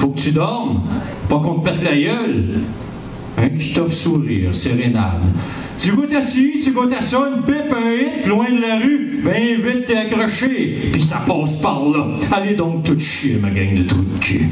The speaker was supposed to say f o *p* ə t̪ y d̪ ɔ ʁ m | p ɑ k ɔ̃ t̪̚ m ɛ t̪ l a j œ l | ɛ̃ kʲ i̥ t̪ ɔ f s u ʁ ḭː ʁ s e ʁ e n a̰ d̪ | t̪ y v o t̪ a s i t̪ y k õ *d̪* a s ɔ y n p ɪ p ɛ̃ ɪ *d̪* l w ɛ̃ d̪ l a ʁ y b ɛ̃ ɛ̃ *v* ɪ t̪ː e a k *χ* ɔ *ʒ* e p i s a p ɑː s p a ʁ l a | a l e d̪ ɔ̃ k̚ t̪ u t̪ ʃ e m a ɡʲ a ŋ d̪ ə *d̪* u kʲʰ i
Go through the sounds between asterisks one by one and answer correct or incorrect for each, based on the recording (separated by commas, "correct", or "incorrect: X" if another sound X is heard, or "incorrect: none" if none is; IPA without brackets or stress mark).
incorrect: k, incorrect: t̪, incorrect: t̪, correct, incorrect: ʁ, incorrect: ʃ, incorrect: t̪